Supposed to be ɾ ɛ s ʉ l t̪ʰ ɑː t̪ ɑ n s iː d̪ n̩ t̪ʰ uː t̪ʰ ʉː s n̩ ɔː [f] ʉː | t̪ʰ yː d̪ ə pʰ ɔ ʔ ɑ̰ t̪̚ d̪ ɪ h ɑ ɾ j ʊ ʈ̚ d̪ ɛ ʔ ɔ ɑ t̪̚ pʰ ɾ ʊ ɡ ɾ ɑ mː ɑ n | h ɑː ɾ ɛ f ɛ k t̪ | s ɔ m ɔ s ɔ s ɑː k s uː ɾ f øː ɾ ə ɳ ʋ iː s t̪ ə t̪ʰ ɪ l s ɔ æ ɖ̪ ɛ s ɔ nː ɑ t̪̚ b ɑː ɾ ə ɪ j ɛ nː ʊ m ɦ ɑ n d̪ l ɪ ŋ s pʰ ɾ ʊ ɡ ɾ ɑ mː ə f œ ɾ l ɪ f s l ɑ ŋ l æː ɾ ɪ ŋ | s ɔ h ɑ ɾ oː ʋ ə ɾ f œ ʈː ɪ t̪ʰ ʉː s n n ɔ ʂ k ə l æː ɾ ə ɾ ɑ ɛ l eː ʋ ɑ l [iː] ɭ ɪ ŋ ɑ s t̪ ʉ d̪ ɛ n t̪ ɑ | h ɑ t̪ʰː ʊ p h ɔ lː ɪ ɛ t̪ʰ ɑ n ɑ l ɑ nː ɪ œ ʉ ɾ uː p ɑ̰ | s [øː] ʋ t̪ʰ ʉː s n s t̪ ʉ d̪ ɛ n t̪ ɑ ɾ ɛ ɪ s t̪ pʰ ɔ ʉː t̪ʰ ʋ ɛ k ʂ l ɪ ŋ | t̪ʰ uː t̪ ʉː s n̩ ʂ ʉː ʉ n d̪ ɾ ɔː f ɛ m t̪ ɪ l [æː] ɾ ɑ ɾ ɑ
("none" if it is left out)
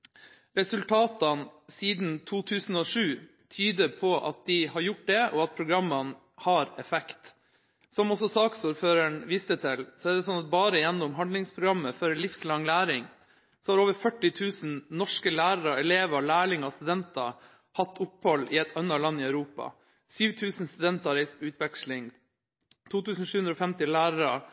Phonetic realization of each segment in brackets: ʂ, æː, yː, æː

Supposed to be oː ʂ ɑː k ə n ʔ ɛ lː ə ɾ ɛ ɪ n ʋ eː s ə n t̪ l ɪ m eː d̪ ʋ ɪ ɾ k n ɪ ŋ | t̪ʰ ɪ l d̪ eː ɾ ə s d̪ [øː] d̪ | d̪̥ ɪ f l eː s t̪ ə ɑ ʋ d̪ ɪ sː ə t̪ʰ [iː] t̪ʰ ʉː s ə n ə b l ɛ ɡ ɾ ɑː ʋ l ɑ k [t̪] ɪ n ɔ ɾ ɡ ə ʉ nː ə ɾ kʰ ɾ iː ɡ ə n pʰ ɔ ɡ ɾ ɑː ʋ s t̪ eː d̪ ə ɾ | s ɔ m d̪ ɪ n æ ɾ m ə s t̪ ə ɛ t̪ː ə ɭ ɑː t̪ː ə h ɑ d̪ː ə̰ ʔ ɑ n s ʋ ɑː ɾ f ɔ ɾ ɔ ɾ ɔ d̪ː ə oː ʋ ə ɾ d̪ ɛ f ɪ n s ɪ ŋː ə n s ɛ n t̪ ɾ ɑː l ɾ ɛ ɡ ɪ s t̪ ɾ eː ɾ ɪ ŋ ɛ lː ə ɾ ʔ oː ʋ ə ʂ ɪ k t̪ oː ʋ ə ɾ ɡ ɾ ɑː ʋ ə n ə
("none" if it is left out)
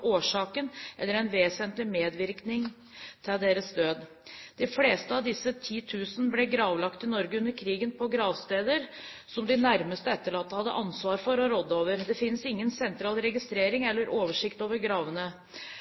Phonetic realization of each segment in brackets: øː, iː, t̪

